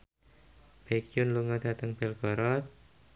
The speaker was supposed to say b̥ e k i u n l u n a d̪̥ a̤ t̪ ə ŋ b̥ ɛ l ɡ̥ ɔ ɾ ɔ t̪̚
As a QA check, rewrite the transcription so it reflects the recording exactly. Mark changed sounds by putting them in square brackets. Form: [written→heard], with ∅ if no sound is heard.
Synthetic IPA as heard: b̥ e k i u n l u [n→ŋ] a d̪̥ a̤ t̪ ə ŋ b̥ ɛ l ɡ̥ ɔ ɾ ɔ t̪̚